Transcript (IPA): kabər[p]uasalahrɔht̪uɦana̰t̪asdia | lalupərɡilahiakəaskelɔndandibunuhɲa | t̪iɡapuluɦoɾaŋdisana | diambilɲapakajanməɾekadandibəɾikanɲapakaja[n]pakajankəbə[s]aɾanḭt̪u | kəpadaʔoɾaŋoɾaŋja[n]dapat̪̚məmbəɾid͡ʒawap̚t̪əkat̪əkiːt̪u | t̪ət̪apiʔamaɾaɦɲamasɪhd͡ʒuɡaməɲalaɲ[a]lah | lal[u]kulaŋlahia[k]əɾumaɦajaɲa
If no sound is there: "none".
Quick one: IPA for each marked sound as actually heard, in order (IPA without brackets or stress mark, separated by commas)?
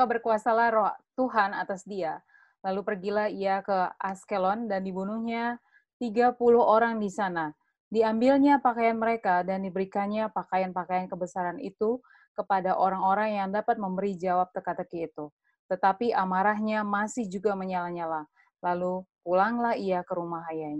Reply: k, n, s, ŋ, a, u, k